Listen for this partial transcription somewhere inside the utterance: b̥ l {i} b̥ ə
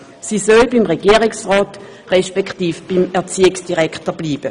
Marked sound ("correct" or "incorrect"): incorrect